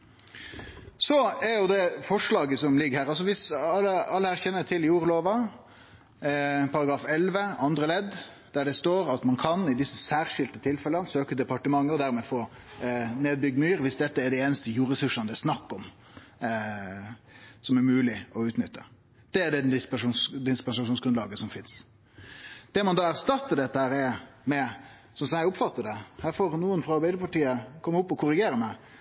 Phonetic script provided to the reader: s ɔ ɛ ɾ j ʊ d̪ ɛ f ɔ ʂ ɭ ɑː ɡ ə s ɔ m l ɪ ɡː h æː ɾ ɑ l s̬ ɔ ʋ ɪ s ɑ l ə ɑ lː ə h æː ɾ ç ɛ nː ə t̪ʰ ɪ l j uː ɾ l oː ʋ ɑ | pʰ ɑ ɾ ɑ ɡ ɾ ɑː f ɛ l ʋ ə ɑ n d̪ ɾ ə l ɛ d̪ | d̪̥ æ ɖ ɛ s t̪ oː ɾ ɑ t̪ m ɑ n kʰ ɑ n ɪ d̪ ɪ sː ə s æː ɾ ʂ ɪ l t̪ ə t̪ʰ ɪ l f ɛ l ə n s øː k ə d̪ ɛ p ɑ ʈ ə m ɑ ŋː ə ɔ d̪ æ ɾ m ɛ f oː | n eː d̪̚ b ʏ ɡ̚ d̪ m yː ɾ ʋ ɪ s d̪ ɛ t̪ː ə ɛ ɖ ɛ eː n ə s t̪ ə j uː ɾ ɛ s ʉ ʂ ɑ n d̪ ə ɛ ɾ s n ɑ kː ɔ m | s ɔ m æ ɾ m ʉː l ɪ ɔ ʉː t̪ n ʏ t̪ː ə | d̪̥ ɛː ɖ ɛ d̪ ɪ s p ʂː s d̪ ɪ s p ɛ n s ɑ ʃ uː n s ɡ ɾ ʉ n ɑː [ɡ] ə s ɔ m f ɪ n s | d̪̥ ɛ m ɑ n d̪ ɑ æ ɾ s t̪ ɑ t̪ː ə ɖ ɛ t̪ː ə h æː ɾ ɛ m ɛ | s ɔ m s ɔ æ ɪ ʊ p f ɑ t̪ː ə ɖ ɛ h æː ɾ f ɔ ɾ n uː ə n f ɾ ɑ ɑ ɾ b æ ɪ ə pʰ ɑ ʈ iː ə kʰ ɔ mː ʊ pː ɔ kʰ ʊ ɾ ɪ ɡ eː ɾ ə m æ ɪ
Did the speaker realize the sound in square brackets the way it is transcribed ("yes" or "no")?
yes